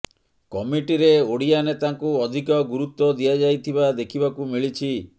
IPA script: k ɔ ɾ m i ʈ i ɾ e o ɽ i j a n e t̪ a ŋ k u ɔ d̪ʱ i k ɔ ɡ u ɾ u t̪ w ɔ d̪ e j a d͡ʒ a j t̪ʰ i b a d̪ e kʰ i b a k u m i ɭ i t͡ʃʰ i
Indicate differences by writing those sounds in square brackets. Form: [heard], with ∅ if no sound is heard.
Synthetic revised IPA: k ɔ [∅] m i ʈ i ɾ e o ɽ i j a n e t̪ a ŋ k u ɔ d̪ʱ i k ɔ ɡ u ɾ u t̪ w ɔ d̪ [i] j a d͡ʒ a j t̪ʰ i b a d̪ e kʰ i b a k u m i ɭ i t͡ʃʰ i